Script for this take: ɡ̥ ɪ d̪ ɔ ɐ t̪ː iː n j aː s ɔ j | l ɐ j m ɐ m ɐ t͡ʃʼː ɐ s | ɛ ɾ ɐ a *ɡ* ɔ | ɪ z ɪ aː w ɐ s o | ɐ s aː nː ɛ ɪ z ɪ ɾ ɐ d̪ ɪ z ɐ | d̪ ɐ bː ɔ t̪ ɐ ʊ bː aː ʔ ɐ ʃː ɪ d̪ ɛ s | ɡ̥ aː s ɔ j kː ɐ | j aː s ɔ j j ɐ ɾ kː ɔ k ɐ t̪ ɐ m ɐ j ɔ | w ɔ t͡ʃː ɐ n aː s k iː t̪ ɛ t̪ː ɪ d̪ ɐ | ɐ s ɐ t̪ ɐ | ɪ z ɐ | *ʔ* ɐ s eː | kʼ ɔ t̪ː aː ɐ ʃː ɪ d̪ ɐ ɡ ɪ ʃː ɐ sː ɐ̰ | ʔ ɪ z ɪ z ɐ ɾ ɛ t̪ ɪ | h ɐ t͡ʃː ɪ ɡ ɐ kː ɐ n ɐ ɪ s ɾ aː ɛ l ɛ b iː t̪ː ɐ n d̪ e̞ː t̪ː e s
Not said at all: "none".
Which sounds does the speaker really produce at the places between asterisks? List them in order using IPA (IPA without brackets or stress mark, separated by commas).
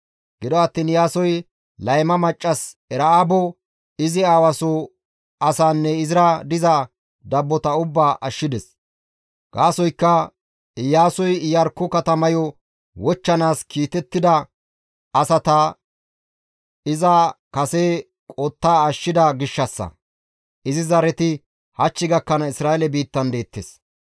b, k